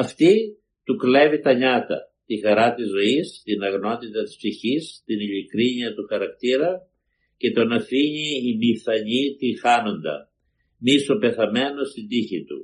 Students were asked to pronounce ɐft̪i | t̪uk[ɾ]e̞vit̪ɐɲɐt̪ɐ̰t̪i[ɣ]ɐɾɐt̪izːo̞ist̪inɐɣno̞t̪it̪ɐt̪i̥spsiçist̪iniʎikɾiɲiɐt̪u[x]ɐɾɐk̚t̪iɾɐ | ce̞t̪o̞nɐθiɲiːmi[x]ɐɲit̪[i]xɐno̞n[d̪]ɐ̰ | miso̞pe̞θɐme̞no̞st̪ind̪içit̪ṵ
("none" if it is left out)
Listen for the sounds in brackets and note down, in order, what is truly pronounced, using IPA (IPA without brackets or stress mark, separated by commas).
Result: l, x, x, θ, i, d̪